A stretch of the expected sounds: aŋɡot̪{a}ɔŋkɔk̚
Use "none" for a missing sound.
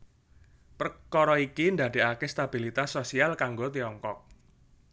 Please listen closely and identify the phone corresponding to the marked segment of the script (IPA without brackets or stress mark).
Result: i